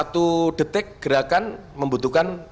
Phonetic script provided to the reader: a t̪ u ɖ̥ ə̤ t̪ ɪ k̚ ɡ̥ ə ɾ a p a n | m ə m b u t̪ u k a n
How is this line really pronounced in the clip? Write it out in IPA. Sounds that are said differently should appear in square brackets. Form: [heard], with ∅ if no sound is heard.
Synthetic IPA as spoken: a t̪ u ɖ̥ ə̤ t̪ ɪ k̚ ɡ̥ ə ɾ a [k] a n | m ə m b u t̪ u k a n